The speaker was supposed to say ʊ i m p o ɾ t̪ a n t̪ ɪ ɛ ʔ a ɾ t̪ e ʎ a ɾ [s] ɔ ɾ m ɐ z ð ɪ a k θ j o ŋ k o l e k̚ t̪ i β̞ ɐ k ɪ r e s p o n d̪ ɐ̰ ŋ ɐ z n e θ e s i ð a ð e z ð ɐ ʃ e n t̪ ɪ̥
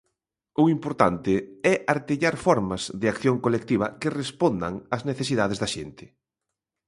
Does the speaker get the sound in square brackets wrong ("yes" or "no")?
yes